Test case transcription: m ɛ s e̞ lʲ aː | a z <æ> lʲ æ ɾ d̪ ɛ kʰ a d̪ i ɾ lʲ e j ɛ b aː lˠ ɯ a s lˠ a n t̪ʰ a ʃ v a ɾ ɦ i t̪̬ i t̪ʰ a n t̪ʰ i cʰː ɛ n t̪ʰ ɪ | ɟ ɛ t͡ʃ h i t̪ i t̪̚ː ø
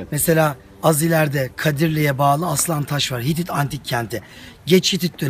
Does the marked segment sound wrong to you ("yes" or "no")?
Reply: yes